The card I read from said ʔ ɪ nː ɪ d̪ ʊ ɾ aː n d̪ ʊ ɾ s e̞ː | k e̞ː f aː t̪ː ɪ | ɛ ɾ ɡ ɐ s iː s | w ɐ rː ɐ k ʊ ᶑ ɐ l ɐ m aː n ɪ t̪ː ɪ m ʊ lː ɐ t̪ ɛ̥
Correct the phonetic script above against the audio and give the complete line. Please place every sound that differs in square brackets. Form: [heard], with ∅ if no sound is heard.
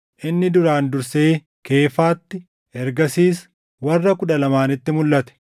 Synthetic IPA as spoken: ʔ ɪ nː ɪ d̪ ʊ ɾ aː n d̪ ʊ ɾ s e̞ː | k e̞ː f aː t̪ː ɪ | ɛ ɾ ɡ ɐ s iː s | w ɐ rː ɐ k ʊ ᶑ ɐ l ɐ m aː n ɪ t̪ː ɪ m ʊ lː ɐ t̪ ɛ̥